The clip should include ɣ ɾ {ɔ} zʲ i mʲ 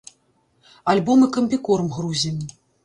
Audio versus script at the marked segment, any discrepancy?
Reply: yes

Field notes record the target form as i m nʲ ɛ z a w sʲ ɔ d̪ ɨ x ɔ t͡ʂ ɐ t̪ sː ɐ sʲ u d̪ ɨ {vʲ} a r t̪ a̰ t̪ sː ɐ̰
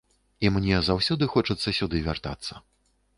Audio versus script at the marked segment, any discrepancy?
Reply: no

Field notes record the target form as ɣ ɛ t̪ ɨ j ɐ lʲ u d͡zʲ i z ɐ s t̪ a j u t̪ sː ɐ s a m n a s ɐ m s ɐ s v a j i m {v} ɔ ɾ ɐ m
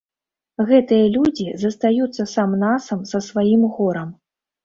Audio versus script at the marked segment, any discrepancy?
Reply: yes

